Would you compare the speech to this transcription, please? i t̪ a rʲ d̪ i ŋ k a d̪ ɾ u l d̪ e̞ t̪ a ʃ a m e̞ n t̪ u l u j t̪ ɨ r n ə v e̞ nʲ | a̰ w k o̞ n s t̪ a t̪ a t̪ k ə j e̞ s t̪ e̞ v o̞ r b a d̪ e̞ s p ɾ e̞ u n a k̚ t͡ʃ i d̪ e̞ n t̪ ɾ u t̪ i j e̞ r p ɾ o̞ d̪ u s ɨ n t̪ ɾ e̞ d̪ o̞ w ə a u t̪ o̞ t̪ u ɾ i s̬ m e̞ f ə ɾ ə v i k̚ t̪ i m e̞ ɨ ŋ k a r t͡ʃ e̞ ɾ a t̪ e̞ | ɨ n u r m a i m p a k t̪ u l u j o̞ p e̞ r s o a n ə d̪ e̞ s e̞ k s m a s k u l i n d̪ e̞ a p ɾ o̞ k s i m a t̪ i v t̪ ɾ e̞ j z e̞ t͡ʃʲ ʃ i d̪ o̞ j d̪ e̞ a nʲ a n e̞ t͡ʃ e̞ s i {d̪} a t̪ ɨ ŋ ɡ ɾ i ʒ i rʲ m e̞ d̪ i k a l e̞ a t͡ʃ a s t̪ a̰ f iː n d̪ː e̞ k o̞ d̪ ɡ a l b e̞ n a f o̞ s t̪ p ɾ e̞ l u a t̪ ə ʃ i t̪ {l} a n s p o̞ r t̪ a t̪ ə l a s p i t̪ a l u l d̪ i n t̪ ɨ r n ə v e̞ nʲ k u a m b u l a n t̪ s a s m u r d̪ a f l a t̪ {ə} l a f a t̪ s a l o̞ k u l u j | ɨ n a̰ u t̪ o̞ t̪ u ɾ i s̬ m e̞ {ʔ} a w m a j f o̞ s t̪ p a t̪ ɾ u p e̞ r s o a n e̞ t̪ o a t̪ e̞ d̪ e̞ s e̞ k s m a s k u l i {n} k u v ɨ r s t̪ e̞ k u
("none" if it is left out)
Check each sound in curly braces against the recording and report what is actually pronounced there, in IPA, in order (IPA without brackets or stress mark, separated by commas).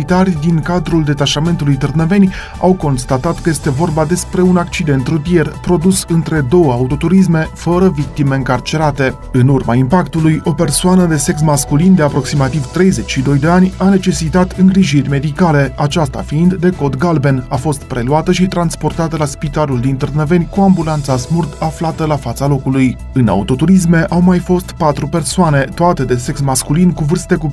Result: t̪, ɾ, ə, ʔ, n